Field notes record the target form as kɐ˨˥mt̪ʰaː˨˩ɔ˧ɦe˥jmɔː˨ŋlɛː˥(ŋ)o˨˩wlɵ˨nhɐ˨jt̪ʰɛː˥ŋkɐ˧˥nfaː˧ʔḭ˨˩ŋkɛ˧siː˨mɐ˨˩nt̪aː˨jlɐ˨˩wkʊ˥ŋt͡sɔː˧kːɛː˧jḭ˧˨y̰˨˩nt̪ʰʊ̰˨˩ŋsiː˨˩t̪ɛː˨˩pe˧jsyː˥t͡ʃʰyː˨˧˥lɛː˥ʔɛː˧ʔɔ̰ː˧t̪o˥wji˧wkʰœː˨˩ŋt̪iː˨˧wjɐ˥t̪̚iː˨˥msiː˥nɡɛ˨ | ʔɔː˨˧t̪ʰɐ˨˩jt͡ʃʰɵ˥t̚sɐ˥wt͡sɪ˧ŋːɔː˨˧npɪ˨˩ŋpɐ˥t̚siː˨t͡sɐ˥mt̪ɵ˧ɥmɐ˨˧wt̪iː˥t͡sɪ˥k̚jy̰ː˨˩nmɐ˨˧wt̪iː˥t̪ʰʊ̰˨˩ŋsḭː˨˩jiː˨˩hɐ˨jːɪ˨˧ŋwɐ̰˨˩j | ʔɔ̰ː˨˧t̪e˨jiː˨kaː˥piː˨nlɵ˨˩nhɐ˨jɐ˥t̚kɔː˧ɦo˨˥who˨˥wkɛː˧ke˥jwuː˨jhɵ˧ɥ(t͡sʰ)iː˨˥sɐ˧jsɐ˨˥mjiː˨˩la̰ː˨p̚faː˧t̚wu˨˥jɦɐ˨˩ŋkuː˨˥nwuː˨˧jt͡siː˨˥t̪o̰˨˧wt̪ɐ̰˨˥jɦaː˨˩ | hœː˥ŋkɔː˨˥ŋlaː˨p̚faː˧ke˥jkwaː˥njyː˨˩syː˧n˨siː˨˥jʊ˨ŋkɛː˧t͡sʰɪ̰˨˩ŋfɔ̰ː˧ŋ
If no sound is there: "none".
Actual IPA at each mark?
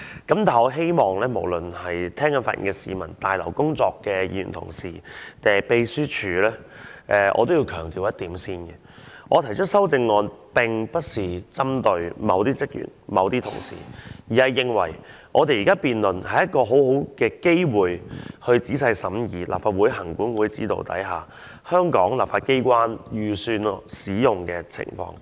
m, t͡s

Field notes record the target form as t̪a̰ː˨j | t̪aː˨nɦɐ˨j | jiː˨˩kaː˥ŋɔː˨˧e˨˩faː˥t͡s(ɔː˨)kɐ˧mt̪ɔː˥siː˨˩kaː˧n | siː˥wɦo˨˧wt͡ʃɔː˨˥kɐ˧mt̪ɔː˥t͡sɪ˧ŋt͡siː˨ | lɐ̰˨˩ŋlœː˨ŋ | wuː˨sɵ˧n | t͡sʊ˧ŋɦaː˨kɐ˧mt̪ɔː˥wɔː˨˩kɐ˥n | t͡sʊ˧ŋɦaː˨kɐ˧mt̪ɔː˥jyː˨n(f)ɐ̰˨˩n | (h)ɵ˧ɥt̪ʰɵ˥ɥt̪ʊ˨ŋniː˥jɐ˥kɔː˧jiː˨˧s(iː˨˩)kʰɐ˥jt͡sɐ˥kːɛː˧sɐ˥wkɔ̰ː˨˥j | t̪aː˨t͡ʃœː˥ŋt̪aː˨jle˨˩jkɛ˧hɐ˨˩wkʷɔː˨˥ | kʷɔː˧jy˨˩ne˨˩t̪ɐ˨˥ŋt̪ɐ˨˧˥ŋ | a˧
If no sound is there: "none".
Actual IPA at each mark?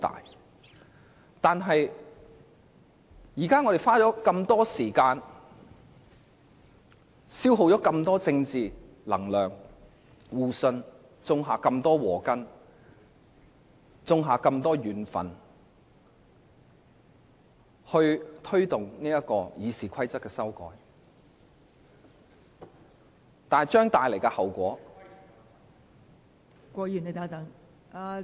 ɔː˨˥, f, h, iː˨˩

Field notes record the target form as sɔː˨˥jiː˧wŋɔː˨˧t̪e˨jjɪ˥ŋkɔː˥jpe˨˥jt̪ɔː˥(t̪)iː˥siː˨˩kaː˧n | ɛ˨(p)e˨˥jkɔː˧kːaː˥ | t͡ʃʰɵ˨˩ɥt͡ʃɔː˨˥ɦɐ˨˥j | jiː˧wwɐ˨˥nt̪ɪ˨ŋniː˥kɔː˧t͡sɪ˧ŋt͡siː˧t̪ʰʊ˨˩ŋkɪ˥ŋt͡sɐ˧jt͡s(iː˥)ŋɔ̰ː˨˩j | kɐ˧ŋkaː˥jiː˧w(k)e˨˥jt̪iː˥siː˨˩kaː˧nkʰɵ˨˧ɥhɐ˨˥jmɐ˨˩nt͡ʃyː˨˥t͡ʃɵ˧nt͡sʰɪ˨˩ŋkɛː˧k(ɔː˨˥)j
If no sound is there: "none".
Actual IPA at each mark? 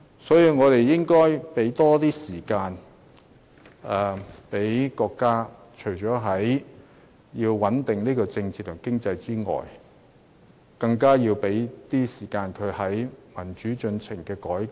t̪, p, iː˥, p, ɔː˨˥

